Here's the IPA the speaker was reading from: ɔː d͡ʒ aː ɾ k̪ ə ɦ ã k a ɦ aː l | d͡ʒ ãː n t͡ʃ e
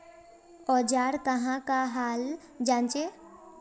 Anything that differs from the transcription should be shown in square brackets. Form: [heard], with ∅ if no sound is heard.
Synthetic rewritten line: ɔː d͡ʒ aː ɾ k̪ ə ɦ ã k a ɦ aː l | d͡ʒ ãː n t͡ʃ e